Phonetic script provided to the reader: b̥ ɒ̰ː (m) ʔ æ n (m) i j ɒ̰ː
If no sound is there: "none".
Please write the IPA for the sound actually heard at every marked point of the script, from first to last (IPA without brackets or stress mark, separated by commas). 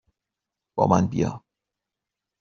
m, b